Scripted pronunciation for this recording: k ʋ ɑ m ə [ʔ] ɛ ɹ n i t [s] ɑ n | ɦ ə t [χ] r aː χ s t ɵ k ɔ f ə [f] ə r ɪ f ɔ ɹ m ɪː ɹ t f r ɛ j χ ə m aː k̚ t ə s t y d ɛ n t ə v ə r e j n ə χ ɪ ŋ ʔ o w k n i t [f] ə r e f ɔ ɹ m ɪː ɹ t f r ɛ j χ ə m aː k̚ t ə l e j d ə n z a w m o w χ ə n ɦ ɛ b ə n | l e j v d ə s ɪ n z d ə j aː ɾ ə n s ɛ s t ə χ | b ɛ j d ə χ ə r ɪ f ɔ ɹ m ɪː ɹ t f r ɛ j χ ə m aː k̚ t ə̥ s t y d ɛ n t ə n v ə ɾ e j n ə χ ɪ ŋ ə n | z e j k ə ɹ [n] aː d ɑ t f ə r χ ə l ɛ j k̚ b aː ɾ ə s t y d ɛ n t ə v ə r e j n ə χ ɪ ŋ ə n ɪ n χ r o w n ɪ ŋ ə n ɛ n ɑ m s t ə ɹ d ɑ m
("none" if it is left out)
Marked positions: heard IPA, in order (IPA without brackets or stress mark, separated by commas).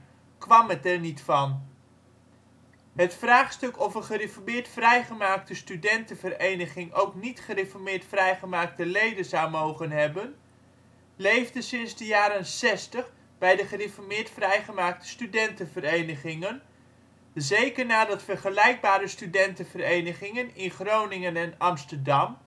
t, f, f, χ, χ, n